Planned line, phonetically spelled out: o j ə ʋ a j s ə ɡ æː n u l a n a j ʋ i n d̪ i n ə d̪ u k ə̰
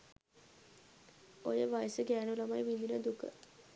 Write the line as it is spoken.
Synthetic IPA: o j ə ʋ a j s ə ɡ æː n u l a m a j ʋ i n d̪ i n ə d̪ u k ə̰